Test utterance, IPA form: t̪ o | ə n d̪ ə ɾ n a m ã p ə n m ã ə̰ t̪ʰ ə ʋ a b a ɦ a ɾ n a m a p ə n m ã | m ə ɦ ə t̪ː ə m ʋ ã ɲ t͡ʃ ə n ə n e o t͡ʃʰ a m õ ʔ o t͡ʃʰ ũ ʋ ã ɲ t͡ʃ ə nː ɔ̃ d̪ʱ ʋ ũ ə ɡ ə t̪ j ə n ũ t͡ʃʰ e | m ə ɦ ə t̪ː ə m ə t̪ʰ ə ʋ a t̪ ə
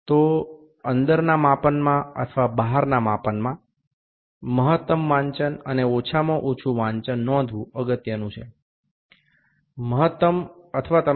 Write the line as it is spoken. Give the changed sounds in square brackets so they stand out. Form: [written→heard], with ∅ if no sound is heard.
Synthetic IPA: t̪ o | ə n d̪ ə ɾ n a m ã p ə n m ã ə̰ t̪ʰ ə ʋ a b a ɦ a ɾ n a m a p ə n m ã | m ə ɦ ə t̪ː ə m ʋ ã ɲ t͡ʃ ə n ə n e o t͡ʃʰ a m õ ʔ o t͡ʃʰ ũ ʋ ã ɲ t͡ʃ ə nː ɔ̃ d̪ʱ ʋ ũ ə ɡ ə t̪ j ə n ũ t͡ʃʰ e | m ə ɦ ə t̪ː ə m ə t̪ʰ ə ʋ a t̪ ə